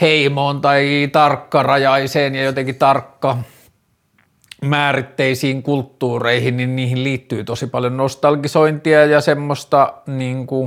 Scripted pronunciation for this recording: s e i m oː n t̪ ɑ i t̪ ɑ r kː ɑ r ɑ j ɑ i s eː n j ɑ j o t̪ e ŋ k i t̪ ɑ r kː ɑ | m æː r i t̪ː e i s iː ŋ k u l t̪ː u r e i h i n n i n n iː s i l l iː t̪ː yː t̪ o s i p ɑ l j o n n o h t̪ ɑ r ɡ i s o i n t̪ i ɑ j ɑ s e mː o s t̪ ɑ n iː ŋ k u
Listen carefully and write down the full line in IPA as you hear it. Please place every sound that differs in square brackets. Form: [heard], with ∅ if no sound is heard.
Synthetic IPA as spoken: [h] e i m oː n t̪ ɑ i t̪ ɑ r kː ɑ r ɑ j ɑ i s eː n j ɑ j o t̪ e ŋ k i t̪ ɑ r kː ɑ | m æː r i t̪ː e i s iː ŋ k u l t̪ː [uː] r e i h i n n i n n iː [h] i l l iː t̪ː yː t̪ o s i p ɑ l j o n n o [s] t̪ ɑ [l] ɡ i s o i n t̪ i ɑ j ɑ s e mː o s t̪ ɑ n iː ŋ k u